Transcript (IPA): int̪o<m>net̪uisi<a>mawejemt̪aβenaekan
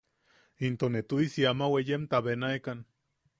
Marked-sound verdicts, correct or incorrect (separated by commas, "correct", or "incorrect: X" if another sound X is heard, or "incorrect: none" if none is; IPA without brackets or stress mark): incorrect: none, correct